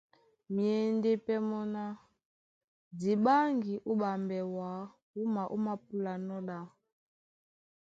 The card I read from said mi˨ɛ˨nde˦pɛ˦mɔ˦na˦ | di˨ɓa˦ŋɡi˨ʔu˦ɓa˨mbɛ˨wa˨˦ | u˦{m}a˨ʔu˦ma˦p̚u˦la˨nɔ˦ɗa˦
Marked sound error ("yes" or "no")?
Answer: no